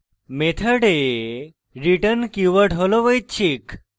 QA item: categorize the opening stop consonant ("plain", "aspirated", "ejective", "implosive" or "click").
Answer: aspirated